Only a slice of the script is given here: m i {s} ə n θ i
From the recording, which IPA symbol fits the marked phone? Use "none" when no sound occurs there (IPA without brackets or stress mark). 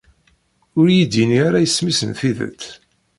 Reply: s